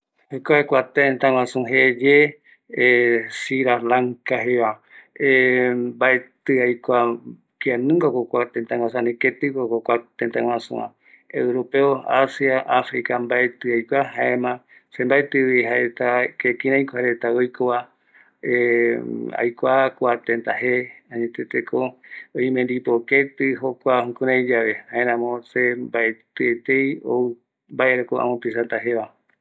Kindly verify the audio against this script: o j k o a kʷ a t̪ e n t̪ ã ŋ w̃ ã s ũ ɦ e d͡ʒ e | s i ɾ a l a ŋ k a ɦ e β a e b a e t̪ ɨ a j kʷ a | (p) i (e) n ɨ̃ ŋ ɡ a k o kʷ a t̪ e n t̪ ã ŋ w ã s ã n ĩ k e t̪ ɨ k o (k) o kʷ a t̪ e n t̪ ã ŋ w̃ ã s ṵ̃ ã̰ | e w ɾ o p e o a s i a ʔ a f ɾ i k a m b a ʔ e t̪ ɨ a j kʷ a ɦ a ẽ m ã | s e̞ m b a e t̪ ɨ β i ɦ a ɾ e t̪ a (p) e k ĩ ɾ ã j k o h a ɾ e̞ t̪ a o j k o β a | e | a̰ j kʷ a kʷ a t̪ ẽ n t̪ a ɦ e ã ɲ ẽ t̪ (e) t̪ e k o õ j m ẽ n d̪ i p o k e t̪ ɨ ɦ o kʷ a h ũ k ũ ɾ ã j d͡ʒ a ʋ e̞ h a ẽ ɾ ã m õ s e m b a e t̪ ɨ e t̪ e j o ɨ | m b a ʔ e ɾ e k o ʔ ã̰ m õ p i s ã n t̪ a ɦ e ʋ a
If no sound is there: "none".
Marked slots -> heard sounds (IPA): k, a, k, k, e

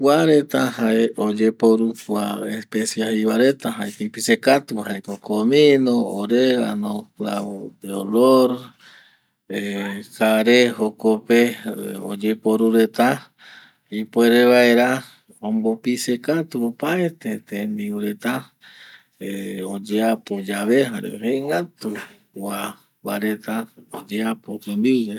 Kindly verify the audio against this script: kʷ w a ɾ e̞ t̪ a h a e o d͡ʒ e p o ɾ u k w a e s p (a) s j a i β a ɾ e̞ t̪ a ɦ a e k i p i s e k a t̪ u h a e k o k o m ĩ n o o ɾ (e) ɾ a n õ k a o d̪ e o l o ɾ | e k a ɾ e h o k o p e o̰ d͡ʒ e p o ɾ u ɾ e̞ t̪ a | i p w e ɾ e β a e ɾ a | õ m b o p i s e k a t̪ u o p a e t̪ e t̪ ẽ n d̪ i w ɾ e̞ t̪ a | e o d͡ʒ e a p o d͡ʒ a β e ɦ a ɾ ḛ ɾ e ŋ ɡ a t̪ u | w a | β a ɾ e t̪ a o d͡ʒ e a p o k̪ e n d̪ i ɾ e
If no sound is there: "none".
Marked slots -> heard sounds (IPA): e, e

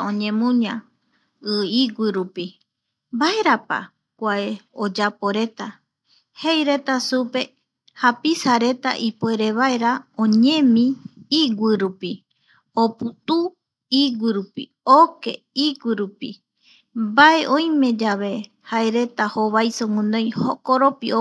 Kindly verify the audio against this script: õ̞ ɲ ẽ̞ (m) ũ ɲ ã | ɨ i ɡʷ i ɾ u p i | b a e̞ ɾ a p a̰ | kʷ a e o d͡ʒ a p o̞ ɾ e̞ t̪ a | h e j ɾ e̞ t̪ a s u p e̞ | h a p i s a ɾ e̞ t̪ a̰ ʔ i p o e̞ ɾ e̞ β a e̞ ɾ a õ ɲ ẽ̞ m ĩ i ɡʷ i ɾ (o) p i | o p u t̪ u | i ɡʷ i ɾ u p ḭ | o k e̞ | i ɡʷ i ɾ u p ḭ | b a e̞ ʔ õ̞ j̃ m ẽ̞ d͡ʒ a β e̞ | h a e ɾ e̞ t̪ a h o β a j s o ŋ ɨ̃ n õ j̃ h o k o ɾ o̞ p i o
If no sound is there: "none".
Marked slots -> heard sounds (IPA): m, u

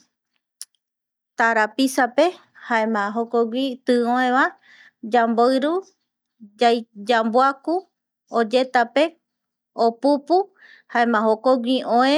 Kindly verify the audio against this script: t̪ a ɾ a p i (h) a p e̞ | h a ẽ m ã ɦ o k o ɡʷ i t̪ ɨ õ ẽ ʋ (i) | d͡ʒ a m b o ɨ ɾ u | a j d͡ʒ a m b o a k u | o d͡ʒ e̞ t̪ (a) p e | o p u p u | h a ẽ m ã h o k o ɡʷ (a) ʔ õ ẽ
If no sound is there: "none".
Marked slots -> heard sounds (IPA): s, a, a, i

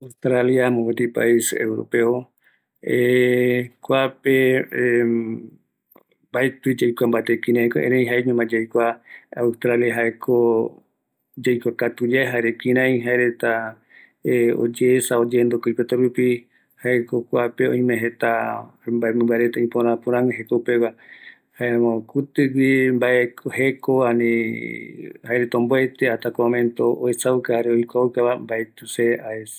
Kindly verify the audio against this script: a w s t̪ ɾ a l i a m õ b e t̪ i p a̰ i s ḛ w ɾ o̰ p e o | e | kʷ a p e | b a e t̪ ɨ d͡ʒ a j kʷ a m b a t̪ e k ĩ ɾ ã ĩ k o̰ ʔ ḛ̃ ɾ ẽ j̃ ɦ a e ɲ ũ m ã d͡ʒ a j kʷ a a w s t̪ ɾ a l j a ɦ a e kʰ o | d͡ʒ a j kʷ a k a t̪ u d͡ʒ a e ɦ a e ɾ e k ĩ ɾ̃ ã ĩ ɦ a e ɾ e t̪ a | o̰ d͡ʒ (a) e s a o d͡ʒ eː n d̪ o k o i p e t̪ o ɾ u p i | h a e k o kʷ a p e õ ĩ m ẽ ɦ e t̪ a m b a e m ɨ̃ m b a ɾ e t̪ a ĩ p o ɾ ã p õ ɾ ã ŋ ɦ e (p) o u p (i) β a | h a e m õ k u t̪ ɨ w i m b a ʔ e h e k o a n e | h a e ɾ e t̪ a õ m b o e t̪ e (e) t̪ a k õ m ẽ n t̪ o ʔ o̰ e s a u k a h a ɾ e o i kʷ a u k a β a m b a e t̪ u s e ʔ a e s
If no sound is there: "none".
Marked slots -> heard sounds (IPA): e, k, e, a

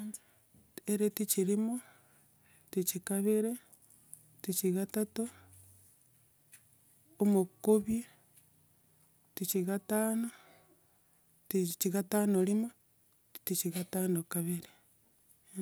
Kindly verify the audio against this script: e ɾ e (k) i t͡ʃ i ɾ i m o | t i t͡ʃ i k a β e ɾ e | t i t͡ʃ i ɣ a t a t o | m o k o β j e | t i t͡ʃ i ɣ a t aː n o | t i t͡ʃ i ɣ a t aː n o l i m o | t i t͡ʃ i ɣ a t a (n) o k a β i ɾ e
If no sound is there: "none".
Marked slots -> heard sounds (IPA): t, n

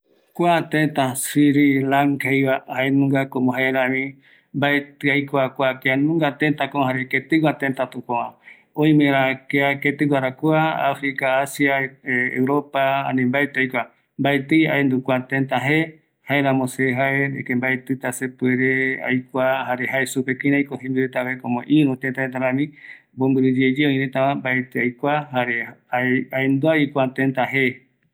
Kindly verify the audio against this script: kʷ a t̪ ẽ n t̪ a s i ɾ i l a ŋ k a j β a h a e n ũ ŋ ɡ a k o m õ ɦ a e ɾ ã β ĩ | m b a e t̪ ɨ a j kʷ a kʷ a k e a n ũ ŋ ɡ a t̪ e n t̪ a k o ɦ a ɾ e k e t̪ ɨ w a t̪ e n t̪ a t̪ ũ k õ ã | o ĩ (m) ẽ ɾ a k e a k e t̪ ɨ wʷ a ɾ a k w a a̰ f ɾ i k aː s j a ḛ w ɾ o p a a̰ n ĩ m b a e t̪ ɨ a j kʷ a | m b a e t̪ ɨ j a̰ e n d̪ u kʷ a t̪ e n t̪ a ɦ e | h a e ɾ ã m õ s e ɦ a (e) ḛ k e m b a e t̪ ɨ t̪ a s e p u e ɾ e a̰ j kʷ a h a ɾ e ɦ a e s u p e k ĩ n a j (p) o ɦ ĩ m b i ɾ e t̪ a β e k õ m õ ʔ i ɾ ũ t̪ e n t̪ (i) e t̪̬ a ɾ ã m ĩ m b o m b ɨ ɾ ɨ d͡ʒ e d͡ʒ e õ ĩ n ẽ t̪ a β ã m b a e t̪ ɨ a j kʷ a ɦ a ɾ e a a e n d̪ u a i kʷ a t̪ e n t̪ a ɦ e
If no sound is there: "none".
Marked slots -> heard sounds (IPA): m, e, k, a

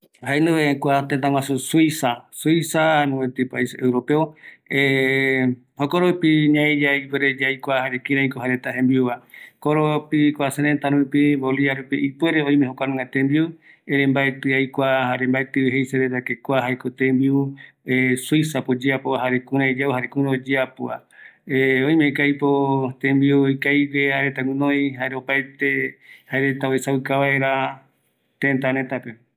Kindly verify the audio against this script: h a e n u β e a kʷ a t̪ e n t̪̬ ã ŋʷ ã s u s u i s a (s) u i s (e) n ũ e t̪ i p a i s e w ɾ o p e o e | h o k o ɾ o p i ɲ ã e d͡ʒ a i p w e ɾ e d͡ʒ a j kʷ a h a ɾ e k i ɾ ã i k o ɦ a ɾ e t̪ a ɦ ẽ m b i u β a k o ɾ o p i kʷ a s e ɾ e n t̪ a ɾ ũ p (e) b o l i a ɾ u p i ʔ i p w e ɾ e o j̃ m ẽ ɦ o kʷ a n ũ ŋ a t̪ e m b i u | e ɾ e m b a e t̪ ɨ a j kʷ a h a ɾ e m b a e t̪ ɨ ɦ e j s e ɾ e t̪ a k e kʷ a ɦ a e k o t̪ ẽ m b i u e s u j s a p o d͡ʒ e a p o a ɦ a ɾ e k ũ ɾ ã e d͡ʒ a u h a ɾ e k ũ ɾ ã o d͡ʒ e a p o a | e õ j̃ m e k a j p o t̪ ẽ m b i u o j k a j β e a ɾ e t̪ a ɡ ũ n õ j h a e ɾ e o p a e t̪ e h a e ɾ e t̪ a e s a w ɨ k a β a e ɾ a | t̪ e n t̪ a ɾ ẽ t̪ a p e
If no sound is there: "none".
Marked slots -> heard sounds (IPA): s, a, i

